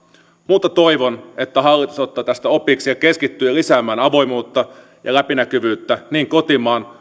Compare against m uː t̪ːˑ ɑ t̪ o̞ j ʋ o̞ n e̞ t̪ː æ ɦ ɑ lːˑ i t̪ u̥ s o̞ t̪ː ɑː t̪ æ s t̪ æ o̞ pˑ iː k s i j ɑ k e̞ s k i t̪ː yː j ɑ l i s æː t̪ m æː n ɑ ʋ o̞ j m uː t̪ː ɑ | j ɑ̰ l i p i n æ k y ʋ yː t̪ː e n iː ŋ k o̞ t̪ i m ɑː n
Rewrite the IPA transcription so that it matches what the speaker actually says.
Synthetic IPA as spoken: m uː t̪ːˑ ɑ t̪ o̞ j ʋ o̞ n e̞ t̪ː æ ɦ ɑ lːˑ i t̪ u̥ s o̞ t̪ː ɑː t̪ æ s t̪ æ o̞ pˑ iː k s i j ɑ k e̞ s k i t̪ː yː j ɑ l i s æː m æː n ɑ ʋ o̞ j m uː t̪ː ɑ | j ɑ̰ l æ p i n æ k y ʋ yː t̪ː æ n iː ŋ k o̞ t̪ i m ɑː n